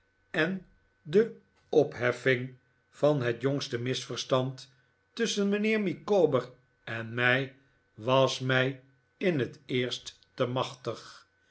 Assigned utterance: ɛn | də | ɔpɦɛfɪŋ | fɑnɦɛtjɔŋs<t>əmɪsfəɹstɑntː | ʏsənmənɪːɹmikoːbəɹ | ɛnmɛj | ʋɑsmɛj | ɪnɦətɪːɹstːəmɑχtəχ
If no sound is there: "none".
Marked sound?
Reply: t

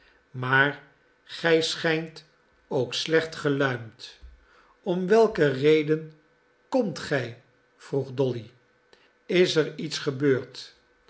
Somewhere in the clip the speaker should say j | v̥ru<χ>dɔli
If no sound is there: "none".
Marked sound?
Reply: χ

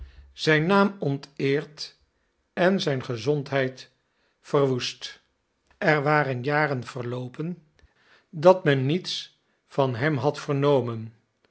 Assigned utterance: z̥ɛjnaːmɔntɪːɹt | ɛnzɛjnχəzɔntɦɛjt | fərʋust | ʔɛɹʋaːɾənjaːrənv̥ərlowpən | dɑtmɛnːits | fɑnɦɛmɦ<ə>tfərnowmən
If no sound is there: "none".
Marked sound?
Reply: ɑ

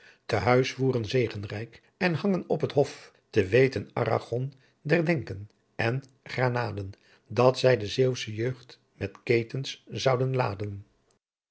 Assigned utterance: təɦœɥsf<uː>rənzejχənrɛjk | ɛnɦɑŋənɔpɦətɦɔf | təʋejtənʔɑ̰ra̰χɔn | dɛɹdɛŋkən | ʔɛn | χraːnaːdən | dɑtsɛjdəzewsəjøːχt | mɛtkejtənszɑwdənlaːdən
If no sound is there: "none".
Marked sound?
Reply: uː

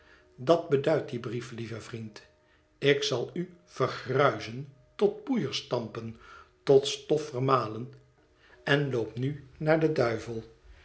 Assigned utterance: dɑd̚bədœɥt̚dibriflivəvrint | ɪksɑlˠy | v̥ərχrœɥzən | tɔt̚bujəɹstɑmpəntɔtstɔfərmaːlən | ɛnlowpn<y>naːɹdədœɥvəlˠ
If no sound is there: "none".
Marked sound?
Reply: y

